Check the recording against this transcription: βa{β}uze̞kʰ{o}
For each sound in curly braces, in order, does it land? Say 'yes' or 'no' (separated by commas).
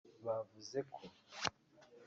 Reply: no, yes